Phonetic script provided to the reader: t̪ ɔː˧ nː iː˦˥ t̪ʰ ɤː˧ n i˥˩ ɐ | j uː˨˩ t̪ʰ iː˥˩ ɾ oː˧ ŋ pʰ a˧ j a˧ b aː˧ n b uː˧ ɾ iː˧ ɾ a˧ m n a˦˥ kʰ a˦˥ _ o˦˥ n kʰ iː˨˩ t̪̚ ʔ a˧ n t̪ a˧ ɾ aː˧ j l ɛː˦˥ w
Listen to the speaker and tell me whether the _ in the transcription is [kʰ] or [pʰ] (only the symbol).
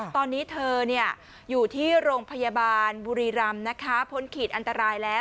pʰ